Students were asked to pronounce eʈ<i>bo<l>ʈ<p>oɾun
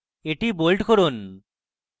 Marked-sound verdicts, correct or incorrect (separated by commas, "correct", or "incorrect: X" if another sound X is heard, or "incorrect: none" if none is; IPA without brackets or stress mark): correct, correct, incorrect: k